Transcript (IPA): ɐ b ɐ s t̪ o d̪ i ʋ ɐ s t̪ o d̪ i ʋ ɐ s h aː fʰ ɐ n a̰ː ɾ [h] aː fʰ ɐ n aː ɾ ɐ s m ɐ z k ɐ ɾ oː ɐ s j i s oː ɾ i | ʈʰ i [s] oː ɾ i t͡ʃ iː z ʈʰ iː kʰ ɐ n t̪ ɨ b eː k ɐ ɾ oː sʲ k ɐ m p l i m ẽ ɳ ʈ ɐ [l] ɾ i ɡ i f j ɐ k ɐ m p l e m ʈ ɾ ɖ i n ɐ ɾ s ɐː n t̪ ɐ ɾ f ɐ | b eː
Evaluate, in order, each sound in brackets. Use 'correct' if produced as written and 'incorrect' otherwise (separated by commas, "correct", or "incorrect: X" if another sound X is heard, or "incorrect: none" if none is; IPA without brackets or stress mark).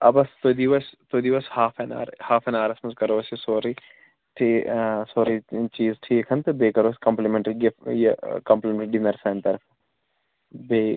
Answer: correct, correct, incorrect: none